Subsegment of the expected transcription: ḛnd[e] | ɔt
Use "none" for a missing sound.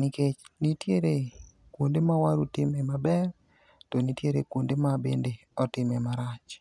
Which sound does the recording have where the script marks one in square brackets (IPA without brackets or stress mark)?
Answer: e